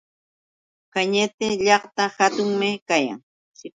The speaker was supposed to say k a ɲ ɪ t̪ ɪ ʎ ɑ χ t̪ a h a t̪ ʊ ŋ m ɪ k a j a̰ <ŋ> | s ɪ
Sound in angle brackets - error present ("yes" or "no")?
no